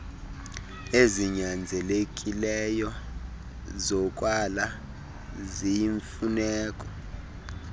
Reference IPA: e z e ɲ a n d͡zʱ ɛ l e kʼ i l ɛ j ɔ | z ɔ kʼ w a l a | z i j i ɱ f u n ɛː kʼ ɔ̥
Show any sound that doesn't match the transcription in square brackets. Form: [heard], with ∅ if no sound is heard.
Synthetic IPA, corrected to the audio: e z [i] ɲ a n d͡zʱ ɛ l e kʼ i l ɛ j ɔ | z ɔ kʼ w a l a | z i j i ɱ f u n ɛː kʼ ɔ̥